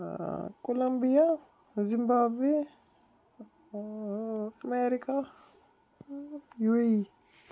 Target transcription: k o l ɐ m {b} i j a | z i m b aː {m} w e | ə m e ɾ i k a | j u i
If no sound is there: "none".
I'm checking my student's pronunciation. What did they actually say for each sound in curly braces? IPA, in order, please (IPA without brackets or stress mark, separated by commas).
b, b